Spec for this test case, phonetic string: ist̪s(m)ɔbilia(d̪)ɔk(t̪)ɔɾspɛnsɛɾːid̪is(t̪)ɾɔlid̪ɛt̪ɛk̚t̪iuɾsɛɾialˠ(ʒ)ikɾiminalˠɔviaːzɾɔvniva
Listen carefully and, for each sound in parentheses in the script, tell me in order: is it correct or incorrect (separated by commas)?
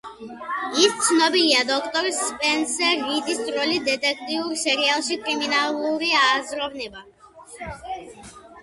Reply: incorrect, correct, correct, correct, incorrect